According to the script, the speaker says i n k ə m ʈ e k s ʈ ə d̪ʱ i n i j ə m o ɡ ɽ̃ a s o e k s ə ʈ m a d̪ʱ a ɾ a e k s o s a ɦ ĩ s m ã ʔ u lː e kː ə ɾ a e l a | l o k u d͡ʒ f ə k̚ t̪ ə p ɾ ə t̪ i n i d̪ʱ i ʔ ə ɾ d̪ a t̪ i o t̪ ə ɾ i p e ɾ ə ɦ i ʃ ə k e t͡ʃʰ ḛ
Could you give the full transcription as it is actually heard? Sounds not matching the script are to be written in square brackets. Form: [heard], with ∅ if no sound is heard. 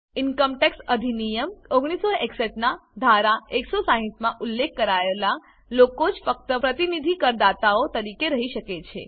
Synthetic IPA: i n k ə m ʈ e k s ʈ ə d̪ʱ i n i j ə m o ɡ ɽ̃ [i] s o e k s ə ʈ [n] a d̪ʱ a ɾ a e k s o s a ɦ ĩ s m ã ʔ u lː e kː ə ɾ a e l a | l o k [o] d͡ʒ f ə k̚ t̪ ə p ɾ ə t̪ i n i d̪ʱ i [k] ə ɾ d̪ a t̪ [a] o t̪ ə ɾ i [k] e ɾ ə ɦ i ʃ ə k e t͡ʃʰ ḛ